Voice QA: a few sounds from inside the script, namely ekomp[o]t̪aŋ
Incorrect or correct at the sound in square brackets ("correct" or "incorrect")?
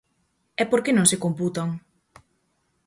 incorrect